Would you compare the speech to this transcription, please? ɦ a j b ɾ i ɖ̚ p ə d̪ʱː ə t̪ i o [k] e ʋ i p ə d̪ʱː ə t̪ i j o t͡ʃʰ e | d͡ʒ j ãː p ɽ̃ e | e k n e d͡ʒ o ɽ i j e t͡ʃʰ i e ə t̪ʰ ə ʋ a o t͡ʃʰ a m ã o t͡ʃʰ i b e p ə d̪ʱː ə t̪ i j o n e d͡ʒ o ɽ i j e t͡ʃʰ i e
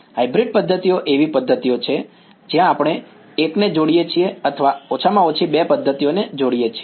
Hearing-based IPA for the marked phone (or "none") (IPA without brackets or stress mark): ʔ